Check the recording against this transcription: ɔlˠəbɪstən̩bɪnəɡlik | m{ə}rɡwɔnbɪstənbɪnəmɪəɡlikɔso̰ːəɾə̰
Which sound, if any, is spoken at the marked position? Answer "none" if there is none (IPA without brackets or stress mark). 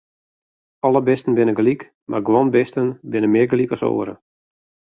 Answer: a